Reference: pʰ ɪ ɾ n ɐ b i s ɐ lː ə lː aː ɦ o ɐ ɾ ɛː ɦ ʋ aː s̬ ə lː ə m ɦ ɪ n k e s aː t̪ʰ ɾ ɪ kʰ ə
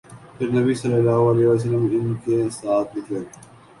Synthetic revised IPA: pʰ ɪ ɾ n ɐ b i s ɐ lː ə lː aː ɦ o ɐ l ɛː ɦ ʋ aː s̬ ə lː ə m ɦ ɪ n k e s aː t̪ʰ l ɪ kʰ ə